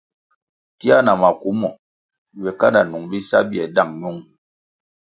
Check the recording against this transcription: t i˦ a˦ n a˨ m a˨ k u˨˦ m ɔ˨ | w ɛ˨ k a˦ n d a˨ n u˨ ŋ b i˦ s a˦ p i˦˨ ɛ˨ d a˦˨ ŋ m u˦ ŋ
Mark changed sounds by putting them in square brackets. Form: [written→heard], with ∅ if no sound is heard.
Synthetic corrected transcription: t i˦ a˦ n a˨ m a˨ k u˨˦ m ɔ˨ | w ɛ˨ k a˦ n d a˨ n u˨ ŋ b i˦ s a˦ [p→b] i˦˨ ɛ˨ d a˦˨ ŋ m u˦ ŋ